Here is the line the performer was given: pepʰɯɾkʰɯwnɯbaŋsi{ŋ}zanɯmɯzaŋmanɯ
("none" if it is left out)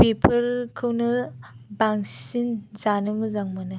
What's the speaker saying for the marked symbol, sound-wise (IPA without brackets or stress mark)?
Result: n